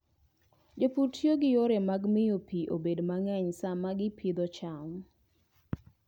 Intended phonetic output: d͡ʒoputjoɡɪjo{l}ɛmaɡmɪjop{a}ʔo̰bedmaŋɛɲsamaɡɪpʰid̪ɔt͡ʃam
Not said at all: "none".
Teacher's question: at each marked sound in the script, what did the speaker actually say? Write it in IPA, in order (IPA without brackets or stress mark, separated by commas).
ɾ, i